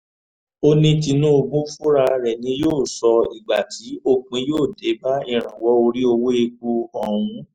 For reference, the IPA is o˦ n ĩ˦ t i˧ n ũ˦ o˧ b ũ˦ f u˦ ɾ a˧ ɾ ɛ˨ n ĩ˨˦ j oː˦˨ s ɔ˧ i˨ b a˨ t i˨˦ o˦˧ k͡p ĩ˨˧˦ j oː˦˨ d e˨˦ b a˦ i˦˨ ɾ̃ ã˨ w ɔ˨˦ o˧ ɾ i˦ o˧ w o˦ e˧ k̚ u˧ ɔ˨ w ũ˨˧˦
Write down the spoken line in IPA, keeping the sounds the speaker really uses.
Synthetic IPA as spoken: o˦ n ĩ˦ t i˧ n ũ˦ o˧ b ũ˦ f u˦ ɾ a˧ ɾ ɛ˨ n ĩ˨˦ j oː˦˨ s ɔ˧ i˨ ɡ͡b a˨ t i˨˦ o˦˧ k͡p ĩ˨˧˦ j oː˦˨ d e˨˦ b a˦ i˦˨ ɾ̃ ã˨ w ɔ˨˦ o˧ ɾ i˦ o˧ w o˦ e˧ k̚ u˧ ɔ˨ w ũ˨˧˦